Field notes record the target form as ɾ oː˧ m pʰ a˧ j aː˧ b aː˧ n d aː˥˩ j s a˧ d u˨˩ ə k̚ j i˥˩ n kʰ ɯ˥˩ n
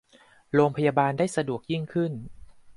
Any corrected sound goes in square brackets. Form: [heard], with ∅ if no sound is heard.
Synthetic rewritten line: ɾ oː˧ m pʰ a˧ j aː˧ b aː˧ n d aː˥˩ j s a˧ d u˨˩ ə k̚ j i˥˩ [ŋ] kʰ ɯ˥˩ n

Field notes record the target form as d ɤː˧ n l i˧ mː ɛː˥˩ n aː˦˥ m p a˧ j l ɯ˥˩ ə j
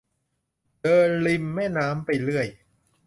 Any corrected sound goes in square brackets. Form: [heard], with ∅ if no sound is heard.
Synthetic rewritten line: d ɤː˧ n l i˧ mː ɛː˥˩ n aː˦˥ m p a˧ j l ɯ˥˩ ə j

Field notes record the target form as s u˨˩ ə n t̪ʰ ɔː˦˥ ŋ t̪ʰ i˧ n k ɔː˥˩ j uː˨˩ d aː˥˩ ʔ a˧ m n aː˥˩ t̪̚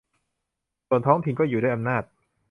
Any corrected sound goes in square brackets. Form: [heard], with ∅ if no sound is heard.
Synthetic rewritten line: s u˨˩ ə n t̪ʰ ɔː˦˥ ŋ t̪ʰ i˧ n k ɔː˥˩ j uː˨˩ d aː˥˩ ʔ a˧ m n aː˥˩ t̪̚

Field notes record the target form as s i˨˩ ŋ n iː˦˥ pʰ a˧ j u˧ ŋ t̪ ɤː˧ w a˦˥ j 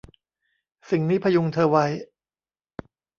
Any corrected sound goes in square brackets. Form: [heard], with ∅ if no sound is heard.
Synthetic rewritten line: s i˨˩ ŋ n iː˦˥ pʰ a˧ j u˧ ŋ [t̪ʰ] ɤː˧ w a˦˥ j

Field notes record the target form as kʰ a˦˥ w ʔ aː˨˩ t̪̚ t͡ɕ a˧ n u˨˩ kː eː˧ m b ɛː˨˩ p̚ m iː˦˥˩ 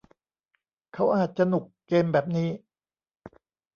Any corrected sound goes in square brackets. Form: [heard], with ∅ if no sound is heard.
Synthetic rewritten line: kʰ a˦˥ w ʔ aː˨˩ t̪̚ t͡ɕ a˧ n u˨˩ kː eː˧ m b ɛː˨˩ p̚ [n] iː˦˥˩

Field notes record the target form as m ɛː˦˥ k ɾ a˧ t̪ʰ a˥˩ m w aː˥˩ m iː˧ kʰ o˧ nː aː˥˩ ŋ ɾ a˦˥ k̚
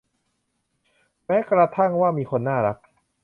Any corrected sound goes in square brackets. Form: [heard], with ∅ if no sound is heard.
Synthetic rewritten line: m ɛː˦˥ k ɾ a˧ t̪ʰ a˥˩ [ŋ] w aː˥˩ m iː˧ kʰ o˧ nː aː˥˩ [∅] ɾ a˦˥ k̚

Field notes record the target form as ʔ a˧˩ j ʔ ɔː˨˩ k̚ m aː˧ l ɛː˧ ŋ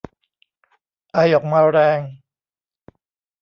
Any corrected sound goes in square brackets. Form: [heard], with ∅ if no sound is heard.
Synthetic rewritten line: ʔ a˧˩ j ʔ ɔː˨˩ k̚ m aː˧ [ɾ] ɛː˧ ŋ

